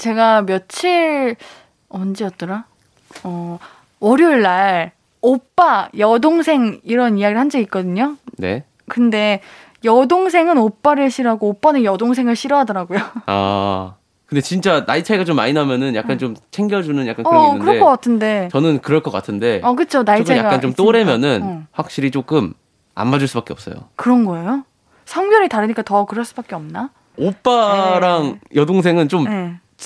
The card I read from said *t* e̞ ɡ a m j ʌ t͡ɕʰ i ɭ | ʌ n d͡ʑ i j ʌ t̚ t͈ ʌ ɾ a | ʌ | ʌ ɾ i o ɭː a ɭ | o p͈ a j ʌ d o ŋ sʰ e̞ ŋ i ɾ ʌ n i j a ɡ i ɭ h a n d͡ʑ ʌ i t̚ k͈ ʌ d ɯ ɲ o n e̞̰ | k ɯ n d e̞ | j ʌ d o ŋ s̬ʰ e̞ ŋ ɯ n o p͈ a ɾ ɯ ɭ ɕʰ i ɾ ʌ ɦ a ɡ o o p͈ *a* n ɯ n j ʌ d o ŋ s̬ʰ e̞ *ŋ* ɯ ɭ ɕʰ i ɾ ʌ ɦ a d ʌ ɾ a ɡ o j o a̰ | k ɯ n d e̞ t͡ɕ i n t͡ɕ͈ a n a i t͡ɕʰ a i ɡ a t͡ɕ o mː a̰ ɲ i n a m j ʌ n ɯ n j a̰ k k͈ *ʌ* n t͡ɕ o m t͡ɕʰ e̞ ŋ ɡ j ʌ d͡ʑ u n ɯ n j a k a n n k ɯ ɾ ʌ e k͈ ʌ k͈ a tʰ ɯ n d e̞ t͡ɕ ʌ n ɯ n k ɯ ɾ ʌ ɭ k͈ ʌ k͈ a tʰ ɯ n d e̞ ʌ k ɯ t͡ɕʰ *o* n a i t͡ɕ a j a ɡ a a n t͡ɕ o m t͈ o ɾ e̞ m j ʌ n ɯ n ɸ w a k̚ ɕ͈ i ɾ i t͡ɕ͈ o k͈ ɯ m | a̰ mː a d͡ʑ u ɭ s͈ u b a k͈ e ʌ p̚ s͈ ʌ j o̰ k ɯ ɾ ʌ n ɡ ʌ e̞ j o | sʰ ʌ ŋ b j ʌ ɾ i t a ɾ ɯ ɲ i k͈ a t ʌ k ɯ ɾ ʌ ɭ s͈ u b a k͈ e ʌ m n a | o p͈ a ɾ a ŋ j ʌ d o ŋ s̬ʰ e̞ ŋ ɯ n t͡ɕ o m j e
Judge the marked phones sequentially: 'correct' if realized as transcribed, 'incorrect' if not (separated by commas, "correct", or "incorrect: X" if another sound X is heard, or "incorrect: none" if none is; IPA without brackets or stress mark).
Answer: incorrect: t͡ɕ, correct, correct, incorrect: a, correct